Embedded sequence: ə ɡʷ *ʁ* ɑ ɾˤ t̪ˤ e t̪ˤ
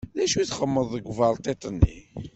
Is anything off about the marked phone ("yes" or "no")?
yes